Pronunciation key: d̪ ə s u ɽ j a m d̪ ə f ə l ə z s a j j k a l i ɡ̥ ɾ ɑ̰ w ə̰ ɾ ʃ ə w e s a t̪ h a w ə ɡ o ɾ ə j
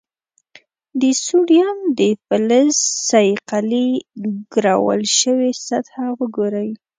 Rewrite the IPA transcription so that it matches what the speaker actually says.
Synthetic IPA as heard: d̪ ə s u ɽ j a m d̪ ə f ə l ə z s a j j q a l i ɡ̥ ɾ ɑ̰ w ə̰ l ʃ ə w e s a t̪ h a w ə ɡ o ɾ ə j